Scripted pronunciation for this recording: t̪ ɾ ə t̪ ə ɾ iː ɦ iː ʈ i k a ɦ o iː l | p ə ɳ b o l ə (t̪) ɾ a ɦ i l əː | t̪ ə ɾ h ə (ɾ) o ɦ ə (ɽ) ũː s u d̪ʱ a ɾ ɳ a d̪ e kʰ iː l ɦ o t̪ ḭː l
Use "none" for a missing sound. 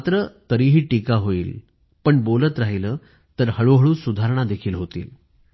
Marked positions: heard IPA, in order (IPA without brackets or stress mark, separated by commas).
t̪, ɭ, ɭ